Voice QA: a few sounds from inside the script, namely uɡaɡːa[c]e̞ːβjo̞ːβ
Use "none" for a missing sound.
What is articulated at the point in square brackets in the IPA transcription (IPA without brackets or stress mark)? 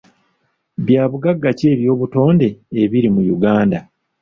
c